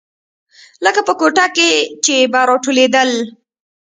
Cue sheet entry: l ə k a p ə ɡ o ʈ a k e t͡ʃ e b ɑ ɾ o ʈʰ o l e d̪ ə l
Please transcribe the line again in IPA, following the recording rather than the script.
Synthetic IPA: l ə k a p ə k o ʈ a k e t͡ʃ e b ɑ ɾ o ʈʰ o l e d̪ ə l